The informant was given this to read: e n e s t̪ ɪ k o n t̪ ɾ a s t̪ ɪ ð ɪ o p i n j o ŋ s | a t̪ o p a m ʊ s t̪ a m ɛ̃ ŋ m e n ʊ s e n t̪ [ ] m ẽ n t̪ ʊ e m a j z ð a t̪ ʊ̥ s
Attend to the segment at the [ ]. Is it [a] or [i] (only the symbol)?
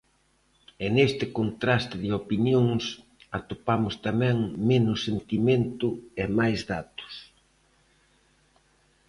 i